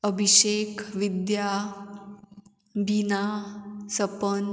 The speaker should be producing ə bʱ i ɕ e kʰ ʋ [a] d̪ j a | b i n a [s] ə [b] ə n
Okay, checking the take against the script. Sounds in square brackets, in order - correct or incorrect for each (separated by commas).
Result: incorrect, correct, incorrect